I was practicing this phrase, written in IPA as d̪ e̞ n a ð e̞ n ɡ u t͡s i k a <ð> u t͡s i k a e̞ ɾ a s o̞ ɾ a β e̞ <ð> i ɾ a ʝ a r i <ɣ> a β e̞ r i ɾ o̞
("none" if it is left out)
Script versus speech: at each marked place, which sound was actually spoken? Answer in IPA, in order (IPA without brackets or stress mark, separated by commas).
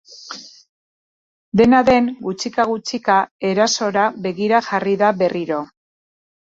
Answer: ɣ, ɣ, ð